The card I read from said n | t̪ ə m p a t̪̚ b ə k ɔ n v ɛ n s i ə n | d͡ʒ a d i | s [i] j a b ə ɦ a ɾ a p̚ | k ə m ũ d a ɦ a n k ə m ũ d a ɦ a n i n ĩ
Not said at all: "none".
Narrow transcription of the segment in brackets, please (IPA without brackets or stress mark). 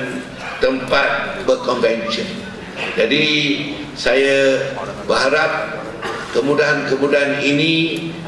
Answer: a